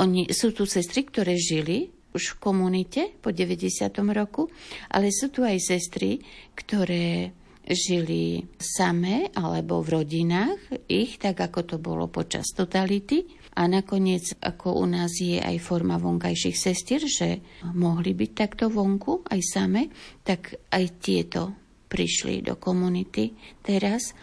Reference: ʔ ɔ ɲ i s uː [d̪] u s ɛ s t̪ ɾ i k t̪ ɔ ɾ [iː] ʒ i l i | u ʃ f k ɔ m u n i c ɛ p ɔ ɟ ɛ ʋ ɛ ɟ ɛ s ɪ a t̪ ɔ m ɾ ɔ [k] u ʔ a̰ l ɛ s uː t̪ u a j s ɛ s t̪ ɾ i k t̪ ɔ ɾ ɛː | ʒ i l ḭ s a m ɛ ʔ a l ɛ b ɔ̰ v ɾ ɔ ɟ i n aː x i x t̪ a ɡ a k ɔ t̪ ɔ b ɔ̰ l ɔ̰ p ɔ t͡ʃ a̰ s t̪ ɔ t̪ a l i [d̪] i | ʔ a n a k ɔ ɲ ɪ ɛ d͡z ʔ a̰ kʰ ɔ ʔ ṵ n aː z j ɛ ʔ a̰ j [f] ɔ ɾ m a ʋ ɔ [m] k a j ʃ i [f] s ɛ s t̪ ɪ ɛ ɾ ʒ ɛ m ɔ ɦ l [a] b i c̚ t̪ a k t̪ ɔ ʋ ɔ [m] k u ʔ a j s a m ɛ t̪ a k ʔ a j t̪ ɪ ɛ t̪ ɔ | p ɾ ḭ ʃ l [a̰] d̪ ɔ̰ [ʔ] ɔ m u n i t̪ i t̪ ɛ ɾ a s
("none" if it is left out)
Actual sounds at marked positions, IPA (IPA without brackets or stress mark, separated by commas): t̪, ɛː, k, t̪, f, ŋ, x, i, ŋ, ḭ, k